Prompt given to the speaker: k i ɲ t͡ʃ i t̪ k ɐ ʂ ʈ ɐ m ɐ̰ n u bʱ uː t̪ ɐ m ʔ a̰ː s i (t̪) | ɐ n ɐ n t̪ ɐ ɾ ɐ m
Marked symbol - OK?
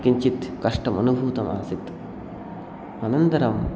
yes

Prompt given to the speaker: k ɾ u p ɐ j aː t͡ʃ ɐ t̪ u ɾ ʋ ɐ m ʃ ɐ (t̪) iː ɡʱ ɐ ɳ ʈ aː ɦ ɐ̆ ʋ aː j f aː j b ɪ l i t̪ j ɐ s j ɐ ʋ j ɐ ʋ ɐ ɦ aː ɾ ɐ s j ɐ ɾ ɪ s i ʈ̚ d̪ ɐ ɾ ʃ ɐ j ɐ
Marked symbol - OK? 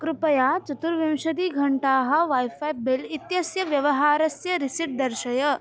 no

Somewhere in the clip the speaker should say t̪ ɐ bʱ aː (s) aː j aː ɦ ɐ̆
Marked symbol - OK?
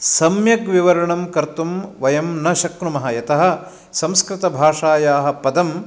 no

